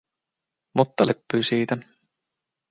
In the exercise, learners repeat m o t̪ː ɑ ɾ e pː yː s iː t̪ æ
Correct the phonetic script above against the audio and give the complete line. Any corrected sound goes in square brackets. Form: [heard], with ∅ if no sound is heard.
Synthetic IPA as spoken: m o t̪ː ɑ [l] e pː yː s iː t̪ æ